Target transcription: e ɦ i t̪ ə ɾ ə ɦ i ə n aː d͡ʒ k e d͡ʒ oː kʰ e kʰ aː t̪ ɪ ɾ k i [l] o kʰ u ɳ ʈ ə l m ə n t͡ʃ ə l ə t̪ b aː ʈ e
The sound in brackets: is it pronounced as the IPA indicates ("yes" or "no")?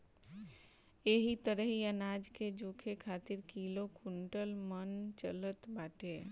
yes